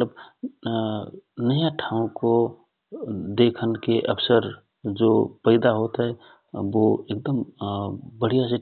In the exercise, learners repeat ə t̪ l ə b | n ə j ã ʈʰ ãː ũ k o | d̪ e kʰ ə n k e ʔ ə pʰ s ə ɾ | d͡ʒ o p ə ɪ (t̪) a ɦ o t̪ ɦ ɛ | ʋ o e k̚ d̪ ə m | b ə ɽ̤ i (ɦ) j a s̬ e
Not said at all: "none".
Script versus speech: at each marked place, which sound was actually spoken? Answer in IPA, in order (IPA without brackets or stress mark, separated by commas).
d̪, none